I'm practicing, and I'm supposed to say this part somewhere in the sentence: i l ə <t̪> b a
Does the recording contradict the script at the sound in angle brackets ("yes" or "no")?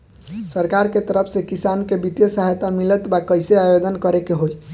no